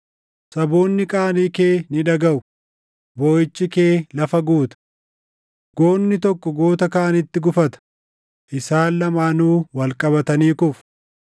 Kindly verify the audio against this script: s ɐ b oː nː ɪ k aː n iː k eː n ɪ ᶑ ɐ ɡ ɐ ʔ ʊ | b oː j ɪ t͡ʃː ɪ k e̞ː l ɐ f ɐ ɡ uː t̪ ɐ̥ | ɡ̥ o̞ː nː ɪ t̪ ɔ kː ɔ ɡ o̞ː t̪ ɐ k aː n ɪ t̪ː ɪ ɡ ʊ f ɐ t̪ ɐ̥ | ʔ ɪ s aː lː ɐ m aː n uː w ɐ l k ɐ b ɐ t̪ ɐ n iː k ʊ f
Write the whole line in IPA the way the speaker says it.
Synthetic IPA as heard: s ɐ b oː nː ɪ kʼ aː n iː k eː n ɪ ᶑ ɐ ɡ ɐ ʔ ʊ | b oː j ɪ t͡ʃː ɪ k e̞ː l ɐ f ɐ ɡ uː t̪ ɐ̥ | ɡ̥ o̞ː nː ɪ t̪ ɔ kː ɔ ɡ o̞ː t̪ ɐ k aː n ɪ t̪ː ɪ ɡ ʊ f ɐ t̪ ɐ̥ | ʔ ɪ s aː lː ɐ m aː n uː w ɐ l kʼ ɐ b ɐ t̪ ɐ n iː k ʊ f